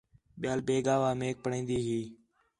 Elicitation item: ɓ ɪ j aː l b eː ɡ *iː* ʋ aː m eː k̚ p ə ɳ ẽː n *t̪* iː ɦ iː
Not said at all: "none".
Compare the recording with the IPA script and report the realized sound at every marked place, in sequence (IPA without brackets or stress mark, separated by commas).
aː, d̪